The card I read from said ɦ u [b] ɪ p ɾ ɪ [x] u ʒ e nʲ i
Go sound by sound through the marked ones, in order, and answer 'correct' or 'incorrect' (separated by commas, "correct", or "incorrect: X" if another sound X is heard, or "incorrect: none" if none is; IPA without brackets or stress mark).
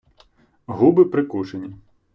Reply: correct, incorrect: k